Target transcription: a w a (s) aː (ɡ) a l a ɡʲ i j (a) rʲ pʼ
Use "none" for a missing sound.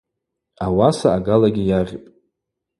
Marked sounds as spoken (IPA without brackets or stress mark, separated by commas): s, ɡ, a